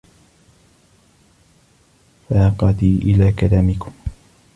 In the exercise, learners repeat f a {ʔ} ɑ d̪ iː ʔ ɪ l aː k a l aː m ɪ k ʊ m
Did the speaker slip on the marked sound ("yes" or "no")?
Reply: yes